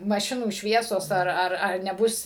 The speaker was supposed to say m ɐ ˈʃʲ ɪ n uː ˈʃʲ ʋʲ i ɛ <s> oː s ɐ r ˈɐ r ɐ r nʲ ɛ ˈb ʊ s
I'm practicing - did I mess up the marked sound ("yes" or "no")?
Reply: no